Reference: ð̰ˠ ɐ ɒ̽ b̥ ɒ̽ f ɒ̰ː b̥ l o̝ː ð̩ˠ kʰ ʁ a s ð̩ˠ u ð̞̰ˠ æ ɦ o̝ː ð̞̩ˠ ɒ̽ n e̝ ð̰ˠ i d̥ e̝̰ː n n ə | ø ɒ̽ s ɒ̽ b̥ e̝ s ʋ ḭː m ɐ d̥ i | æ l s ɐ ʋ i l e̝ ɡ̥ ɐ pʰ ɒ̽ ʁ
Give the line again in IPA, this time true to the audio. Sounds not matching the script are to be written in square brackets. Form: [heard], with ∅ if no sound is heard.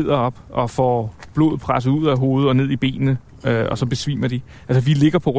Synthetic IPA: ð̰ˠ ɐ ɒ̽ b̥ ɒ̽ f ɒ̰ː b̥ l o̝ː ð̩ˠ [pʰ] ʁ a s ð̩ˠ u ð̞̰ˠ æ ɦ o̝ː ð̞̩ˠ ɒ̽ n e̝ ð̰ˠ i [b̥] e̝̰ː n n ə | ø ɒ̽ s ɒ̽ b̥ e̝ s ʋ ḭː m ɐ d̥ i | æ l s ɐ ʋ i l e̝ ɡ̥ ɐ pʰ ɒ̽ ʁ